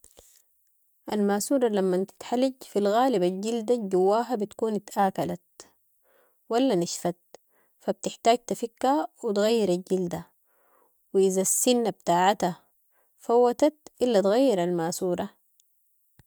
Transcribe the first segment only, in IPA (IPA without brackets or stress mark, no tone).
ʔ